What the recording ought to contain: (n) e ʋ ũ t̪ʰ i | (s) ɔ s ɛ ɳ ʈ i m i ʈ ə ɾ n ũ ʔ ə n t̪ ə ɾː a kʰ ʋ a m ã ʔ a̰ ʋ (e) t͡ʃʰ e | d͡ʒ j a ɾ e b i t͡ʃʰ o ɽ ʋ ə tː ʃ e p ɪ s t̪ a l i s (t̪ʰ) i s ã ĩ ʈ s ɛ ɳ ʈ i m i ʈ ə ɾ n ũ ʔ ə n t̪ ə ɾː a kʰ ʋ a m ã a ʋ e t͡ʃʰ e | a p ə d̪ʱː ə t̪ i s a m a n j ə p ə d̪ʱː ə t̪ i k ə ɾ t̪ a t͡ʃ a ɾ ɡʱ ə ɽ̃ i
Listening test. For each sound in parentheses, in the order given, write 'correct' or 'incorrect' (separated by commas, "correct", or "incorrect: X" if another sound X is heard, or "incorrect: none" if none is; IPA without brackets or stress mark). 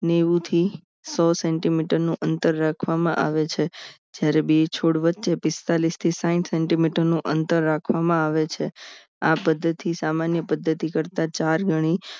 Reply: correct, correct, correct, correct